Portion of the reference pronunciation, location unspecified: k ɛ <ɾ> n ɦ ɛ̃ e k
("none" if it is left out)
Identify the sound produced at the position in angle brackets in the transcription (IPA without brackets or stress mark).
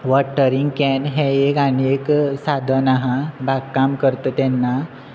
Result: none